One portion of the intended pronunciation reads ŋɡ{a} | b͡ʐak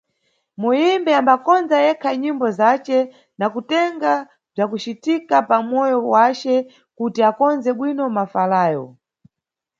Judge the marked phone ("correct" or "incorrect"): correct